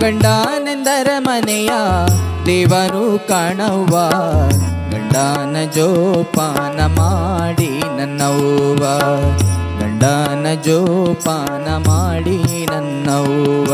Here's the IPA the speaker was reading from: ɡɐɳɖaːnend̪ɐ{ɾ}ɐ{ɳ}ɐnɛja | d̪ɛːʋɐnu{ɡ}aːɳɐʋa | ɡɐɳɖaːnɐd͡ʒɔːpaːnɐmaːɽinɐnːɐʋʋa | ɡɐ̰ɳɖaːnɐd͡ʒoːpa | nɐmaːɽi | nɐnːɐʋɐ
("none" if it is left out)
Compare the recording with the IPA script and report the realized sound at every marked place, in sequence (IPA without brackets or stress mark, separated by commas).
ɾ, m, k